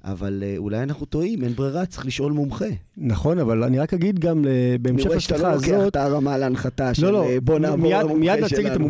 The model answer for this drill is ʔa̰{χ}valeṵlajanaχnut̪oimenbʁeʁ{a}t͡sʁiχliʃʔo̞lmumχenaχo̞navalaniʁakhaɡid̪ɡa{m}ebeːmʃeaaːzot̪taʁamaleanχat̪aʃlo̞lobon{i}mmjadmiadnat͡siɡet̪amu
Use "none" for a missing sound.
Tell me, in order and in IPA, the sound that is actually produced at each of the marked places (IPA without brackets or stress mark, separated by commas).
none, a, m, a